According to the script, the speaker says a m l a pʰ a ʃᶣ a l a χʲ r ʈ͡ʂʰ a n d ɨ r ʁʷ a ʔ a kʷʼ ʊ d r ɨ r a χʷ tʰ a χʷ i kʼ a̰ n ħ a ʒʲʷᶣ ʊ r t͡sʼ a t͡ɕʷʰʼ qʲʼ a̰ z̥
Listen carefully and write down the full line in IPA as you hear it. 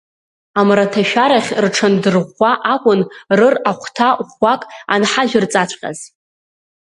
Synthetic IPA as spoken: a m r a tʰ a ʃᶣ a ɾ a χʲ r ʈ͡ʂʰ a n d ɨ r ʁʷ a ʔ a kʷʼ ʊ n r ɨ r a χʷ tʰ a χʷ a kʼ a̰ n ħ a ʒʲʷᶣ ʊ r t͡sʼ a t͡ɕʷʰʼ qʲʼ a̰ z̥